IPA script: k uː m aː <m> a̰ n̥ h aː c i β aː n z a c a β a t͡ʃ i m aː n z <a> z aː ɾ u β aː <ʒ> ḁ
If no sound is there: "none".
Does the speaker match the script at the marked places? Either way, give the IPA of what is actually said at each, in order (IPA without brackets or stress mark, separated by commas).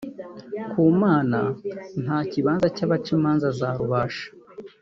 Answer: n, a, ʃ